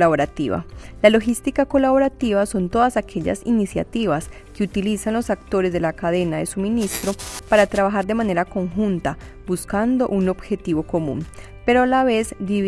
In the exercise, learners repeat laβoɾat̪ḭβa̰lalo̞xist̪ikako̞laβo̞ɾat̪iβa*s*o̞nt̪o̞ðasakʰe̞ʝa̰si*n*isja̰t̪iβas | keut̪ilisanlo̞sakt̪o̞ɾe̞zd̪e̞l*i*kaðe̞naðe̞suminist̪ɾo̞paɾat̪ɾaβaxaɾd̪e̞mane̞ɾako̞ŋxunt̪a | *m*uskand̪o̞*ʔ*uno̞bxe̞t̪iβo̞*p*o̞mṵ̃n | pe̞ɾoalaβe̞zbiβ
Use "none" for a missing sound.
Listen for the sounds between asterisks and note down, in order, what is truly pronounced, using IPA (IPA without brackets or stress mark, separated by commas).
s, n, a, b, ʔ, k